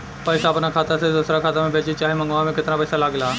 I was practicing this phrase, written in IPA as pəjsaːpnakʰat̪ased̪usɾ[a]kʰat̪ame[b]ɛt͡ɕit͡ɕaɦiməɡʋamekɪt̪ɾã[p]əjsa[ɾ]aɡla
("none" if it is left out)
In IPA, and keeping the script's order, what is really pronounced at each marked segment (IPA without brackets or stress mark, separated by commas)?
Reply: a, b, p, l